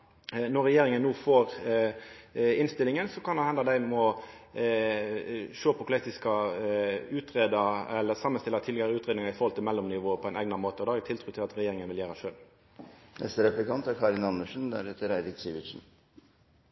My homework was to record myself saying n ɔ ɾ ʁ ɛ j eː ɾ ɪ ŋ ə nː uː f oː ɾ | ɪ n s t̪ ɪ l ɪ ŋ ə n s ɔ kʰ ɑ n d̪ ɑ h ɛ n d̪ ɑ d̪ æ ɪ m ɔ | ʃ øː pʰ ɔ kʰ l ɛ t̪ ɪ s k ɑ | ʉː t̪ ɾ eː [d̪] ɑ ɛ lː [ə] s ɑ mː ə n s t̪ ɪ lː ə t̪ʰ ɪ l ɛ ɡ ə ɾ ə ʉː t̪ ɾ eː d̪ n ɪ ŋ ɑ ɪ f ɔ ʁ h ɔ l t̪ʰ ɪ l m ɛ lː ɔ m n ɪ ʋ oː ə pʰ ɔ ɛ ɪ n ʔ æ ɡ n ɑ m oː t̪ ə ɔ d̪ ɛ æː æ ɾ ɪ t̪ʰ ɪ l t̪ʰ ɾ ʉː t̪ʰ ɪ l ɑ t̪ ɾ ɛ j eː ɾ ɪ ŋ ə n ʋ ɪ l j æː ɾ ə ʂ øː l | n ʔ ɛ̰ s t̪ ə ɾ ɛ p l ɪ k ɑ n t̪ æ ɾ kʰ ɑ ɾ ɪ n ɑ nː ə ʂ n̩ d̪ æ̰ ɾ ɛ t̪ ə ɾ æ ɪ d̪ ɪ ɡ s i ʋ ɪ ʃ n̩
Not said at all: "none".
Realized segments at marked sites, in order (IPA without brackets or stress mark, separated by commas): d̪, ə